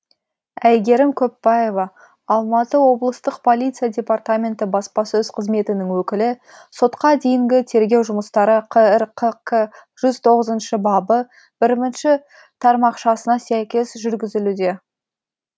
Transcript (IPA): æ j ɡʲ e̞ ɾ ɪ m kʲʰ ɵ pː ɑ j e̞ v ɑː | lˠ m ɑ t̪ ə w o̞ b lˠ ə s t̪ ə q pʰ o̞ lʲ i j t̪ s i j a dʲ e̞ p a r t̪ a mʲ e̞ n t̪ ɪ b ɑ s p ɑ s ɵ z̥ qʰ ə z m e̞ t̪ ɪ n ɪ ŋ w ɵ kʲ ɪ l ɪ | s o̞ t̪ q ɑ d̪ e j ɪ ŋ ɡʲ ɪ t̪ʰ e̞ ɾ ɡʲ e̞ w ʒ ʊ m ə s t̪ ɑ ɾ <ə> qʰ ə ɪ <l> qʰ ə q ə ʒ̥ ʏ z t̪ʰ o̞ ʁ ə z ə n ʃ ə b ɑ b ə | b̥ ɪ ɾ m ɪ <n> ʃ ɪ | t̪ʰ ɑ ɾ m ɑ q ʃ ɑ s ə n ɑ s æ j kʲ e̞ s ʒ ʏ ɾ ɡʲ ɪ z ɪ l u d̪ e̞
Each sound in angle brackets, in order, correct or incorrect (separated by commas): correct, incorrect, correct